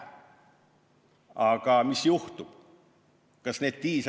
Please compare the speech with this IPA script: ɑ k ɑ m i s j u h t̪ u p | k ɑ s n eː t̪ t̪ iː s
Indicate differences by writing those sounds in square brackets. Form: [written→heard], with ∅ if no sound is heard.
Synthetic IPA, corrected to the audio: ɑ k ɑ m i s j u h t̪ u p | k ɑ s n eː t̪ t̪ iː s

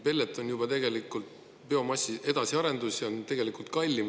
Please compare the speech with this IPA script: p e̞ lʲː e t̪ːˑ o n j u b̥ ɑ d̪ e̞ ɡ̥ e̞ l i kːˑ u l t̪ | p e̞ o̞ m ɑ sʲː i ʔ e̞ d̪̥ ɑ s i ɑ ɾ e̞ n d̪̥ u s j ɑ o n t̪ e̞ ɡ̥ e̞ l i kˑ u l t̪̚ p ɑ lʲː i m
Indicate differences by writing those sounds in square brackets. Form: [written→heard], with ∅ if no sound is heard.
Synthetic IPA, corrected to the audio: p e̞ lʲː e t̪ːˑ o n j u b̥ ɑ [d̪→t̪] e̞ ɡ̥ e̞ l i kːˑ u l t̪ | p e̞ o̞ m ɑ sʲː i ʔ e̞ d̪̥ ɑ s i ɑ ɾ e̞ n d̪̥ u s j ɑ o n t̪ e̞ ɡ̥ e̞ l i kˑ u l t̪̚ [p→k] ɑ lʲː i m

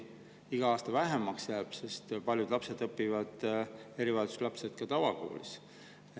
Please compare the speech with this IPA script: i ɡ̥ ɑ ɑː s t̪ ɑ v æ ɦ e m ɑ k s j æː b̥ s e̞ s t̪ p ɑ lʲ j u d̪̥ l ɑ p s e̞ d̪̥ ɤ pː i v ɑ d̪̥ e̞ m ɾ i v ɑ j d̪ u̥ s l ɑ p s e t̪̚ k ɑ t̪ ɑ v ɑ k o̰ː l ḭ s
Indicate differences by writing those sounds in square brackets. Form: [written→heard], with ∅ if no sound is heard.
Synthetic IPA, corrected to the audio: i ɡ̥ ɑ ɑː s t̪ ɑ v æ ɦ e m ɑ k s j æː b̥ s e̞ s t̪ p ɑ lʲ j u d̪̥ l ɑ p s e̞ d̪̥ ɤ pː i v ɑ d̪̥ e̞ [m→∅] ɾ i v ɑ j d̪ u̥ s l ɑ p s e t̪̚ k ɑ t̪ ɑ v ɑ k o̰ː l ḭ s

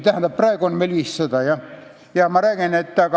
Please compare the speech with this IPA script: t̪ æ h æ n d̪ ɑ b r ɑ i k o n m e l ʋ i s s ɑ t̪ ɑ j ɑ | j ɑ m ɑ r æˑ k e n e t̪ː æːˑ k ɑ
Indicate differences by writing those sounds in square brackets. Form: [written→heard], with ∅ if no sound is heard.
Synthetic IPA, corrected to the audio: t̪ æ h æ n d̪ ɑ [b→p] r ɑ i k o n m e l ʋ i s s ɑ t̪ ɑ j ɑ | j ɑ m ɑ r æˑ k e n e t̪ː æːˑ k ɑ

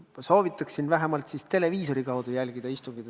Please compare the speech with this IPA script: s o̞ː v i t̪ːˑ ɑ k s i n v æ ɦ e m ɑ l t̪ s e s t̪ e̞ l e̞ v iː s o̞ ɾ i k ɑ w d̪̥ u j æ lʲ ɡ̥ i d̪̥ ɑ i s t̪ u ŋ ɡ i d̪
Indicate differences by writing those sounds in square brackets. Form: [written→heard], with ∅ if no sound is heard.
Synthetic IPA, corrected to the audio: s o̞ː v i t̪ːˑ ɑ k s i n v æ ɦ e m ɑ l t̪ s [e→i] s t̪ e̞ l e̞ v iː s o̞ ɾ i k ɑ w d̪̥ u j æ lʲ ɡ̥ i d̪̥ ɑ i s t̪ u ŋ ɡ i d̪

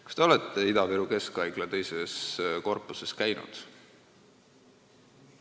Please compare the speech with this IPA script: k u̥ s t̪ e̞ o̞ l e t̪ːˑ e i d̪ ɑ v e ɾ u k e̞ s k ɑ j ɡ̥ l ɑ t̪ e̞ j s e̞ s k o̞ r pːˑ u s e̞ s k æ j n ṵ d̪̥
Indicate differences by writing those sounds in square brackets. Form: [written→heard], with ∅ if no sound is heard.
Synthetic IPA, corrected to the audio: k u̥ s t̪ e̞ o̞ l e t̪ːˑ e i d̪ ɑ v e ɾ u k e̞ s k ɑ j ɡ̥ l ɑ t̪ e̞ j s e̞ s k o̞ r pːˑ u s e̞ s k æ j n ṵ d̪̥

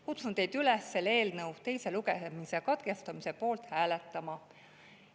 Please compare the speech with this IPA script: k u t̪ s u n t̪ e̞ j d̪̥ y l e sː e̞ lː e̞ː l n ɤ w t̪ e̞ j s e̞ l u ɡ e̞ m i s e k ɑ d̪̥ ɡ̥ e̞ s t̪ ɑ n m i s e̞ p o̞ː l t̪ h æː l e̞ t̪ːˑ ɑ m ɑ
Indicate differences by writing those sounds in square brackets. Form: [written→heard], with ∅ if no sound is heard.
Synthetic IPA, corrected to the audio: k u t̪ s u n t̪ e̞ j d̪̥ y l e sː e̞ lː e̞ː l n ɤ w t̪ e̞ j s e̞ l u ɡ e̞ m i s e k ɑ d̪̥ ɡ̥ e̞ s t̪ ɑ [n→∅] m i s e̞ p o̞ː l t̪ h æː l e̞ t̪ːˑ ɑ m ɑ

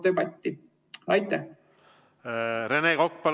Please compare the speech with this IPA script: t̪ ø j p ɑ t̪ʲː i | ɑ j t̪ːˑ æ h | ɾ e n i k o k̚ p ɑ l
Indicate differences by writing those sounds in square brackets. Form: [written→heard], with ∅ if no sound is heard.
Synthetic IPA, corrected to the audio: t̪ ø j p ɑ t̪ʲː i | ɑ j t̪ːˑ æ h | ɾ e n [i→e] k o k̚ p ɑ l

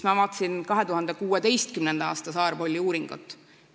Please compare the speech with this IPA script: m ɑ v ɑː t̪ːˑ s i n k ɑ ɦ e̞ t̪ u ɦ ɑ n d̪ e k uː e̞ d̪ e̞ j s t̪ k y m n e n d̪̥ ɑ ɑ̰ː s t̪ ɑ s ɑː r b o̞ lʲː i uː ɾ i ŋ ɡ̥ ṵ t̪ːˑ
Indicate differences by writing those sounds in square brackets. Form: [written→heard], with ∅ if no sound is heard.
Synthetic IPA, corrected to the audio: m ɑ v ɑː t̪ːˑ s i n k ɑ ɦ e̞ t̪ u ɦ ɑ n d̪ e k uː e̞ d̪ e̞ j s t̪ k y m n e n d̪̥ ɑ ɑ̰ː s t̪ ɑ s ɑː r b o̞ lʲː i uː ɾ i ŋ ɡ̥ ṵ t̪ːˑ

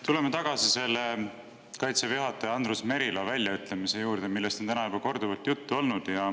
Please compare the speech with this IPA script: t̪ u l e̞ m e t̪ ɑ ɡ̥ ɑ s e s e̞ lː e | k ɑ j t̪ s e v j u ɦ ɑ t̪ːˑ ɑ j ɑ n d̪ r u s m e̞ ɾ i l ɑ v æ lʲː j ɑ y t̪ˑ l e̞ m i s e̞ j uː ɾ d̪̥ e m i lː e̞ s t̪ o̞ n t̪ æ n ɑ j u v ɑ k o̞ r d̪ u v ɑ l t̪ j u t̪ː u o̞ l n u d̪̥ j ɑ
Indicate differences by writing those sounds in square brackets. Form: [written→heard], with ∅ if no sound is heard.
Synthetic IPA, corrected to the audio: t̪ u l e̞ m e t̪ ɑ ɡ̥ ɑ s [e→i] s e̞ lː e | k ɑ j t̪ s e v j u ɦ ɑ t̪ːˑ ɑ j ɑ n d̪ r u s m e̞ ɾ i l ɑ v æ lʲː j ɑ y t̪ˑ l e̞ m i s e̞ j uː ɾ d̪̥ e m i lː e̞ s t̪ o̞ n t̪ æ n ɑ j u [v→b] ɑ k o̞ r d̪ u v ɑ l t̪ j u t̪ː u o̞ l n u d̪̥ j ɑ

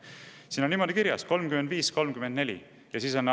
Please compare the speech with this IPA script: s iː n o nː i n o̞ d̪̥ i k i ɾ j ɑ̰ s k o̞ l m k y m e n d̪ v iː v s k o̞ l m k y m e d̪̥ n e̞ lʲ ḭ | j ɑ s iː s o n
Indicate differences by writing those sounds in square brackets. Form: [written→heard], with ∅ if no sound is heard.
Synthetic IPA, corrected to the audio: s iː n o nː i [n→m] o̞ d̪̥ i k i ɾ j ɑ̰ s k o̞ l m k y m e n d̪ v iː [v→∅] s k o̞ l m k y m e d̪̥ n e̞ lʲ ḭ | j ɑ s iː s o n

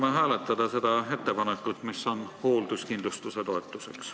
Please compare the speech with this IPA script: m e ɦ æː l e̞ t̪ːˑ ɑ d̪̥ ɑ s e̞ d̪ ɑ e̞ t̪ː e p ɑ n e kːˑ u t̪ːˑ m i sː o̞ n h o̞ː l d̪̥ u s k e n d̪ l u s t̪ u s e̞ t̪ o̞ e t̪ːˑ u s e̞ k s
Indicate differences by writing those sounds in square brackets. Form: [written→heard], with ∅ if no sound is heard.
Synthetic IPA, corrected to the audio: m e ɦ æː l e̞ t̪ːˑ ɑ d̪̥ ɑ s e̞ d̪ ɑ e̞ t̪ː e p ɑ n e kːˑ u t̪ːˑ m i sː o̞ n h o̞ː l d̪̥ u s k [e→i] n d̪ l u s t̪ u s e̞ t̪ o̞ e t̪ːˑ u s e̞ k s

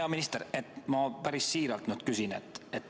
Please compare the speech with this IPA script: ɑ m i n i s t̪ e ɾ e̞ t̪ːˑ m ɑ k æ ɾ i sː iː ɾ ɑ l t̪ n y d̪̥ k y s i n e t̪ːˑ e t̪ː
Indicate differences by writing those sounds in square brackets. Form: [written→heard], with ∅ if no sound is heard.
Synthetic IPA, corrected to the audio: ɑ m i n i s t̪ e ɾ e̞ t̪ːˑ m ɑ [k→p] æ ɾ i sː iː ɾ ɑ l t̪ n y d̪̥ k y s i n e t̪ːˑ e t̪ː

